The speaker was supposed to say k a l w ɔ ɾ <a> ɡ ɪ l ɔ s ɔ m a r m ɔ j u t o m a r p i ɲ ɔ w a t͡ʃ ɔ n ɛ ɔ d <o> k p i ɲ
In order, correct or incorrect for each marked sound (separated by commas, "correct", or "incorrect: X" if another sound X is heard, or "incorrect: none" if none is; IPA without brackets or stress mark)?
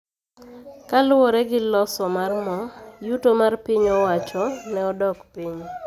incorrect: ɛ, incorrect: ɔ